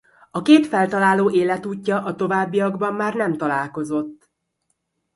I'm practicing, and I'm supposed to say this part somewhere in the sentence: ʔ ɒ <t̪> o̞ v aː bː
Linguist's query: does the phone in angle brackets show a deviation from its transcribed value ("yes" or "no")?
no